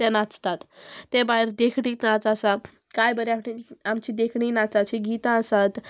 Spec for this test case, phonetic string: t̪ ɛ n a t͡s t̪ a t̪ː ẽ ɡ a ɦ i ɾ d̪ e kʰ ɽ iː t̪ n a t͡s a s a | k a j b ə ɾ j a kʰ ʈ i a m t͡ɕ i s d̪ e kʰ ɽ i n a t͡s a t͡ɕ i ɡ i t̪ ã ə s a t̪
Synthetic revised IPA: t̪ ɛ n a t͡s t̪ a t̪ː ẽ b a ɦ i ɾ d̪ e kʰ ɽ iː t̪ n a t͡s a s a | k a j b ə ɾ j a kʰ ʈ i a m t͡ɕ i d̪ e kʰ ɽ i n a t͡s a t͡ɕ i ɡ i t̪ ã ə s a t̪